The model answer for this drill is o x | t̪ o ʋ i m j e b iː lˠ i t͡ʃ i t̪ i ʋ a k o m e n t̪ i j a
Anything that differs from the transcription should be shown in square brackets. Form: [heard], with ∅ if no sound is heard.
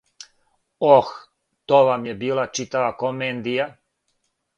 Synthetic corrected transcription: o x | t̪ o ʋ [a] m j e b iː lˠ [a] t͡ʃ i t̪ [a] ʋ a k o m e n [d̪] i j a